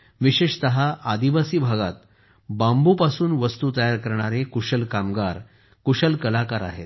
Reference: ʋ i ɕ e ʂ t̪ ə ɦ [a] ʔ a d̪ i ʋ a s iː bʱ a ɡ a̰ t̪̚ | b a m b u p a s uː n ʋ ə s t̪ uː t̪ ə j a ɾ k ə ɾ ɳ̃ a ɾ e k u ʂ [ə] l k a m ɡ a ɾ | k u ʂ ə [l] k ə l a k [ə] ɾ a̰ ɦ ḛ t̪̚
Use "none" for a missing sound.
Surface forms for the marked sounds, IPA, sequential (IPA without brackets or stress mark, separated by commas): a, ə, l, a